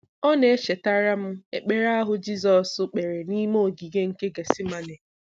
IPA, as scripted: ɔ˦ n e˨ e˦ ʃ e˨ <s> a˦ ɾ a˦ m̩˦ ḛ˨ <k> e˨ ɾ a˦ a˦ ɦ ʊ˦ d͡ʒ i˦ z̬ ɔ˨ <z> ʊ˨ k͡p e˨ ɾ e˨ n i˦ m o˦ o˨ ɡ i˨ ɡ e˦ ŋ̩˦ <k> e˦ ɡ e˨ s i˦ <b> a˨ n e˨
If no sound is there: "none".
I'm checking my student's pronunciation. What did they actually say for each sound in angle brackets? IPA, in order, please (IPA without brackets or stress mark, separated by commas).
t, k͡p, s, k, m